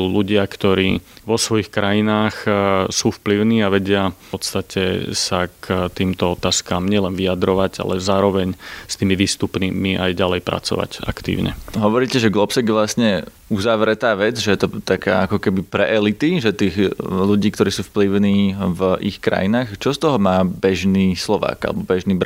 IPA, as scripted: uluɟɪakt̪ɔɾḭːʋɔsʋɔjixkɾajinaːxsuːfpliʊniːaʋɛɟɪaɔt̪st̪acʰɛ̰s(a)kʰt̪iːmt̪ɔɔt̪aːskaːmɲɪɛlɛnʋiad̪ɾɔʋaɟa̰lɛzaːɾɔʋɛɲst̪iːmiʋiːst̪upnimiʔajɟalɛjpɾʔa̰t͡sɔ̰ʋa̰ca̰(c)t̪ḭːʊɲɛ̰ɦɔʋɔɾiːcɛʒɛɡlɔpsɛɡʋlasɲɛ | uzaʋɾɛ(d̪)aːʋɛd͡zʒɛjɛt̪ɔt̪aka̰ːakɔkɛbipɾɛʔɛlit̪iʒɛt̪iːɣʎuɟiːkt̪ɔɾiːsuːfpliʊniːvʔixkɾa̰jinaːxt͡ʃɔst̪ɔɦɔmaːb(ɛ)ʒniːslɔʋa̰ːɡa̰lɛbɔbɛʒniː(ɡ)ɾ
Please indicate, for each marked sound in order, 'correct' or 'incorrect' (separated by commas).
correct, incorrect, incorrect, correct, incorrect